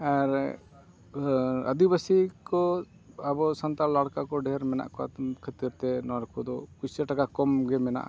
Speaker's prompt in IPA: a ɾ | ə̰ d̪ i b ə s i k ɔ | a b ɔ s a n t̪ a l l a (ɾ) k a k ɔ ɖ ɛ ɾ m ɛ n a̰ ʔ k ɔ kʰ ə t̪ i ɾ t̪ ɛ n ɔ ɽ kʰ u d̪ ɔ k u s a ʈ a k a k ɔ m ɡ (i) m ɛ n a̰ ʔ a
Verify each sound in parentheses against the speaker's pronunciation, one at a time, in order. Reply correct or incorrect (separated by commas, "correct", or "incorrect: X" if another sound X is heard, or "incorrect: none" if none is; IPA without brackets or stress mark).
incorrect: ɽ, incorrect: ɛ